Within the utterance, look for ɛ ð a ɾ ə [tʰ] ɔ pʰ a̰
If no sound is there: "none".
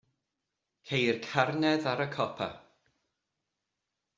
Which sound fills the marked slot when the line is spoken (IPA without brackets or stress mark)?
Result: kʰ